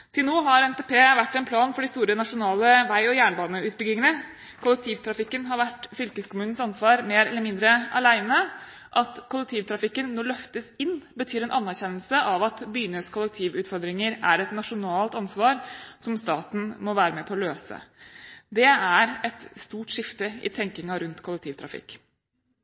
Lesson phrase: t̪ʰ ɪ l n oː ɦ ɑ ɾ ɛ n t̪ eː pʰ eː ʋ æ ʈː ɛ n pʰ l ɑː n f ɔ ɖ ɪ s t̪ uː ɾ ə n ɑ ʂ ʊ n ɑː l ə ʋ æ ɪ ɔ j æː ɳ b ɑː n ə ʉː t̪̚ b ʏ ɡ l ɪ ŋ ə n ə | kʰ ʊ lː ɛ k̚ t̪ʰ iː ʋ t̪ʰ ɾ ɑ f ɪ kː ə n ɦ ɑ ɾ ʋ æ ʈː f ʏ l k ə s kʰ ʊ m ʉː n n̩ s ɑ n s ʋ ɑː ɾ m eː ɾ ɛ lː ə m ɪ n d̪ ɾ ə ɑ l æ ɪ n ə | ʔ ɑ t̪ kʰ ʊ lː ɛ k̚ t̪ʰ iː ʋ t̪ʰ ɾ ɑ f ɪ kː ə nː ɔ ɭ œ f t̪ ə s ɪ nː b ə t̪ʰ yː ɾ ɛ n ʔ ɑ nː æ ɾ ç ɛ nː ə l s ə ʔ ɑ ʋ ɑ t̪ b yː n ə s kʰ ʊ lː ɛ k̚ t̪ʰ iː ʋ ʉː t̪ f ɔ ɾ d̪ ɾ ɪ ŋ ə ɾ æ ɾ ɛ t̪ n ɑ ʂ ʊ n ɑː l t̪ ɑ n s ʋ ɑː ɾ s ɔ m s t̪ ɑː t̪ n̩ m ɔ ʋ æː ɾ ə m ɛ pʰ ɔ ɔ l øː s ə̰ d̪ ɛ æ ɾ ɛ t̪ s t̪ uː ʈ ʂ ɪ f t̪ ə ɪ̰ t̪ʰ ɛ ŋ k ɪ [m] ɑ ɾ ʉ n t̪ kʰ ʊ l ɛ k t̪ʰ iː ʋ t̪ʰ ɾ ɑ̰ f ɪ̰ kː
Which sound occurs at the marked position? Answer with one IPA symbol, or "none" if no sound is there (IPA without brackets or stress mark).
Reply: ŋ